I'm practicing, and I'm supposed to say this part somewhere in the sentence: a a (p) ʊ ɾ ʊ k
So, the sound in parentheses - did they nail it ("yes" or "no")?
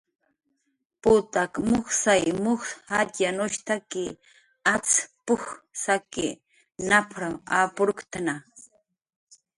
yes